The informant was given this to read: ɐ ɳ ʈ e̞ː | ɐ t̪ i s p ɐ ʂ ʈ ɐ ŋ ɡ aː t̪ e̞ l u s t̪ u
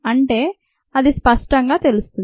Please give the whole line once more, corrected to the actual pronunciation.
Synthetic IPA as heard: ɐ ɳ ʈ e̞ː | ɐ d̪ i s p ɐ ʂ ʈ ɐ ŋ ɡ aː t̪ e̞ l u s t̪ u